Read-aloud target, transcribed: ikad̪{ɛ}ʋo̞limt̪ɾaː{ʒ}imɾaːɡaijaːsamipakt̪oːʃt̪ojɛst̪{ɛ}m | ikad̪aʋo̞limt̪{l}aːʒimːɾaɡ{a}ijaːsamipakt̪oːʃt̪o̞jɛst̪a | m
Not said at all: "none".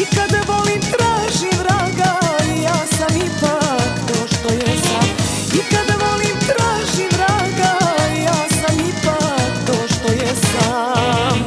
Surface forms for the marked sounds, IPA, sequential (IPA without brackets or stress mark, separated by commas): a, ʒ, a, ɾ, a